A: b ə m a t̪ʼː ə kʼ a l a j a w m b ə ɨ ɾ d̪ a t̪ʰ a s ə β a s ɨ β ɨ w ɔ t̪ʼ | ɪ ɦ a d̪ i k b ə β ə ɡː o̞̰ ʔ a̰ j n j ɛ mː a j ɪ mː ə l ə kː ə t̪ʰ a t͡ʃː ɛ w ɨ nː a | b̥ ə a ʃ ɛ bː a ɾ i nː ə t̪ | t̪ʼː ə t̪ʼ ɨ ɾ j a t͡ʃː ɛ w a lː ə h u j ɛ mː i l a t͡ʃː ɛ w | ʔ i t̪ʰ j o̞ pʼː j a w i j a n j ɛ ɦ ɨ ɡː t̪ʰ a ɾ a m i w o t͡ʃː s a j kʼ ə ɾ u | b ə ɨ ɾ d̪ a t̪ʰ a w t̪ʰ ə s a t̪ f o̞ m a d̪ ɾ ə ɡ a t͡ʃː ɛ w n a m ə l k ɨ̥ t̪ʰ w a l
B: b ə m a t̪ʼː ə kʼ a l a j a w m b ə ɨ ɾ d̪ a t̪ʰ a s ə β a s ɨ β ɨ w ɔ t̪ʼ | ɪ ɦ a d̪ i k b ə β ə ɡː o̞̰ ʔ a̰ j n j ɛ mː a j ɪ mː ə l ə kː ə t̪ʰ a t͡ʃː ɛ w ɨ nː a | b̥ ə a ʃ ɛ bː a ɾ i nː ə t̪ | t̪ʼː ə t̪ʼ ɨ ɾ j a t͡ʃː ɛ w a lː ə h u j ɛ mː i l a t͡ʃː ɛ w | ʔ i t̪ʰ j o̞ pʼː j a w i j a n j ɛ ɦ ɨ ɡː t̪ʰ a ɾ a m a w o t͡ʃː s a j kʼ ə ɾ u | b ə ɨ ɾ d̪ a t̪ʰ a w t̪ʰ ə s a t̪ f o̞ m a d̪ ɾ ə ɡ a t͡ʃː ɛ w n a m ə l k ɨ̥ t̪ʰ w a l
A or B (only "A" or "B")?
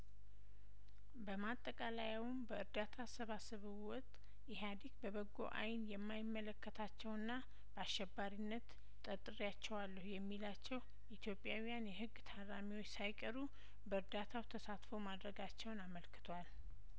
A